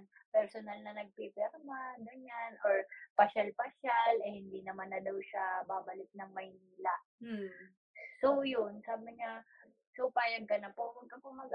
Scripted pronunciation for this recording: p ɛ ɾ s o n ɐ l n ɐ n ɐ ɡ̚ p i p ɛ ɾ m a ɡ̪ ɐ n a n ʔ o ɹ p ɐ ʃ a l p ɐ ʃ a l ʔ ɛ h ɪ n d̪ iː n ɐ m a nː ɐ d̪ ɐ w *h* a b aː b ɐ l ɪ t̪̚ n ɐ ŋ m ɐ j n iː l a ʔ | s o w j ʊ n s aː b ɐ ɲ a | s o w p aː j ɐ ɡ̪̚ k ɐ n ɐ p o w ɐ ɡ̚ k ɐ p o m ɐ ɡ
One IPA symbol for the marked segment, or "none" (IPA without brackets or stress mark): ʃ